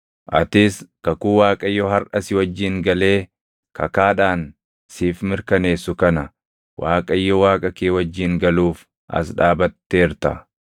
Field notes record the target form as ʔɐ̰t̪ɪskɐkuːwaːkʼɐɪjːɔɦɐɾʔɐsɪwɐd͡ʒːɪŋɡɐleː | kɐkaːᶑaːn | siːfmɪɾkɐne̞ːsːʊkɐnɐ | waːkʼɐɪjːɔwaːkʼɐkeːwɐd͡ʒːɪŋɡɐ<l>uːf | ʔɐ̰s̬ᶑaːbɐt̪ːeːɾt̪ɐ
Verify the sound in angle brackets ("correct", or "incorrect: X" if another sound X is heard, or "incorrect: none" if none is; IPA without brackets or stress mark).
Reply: correct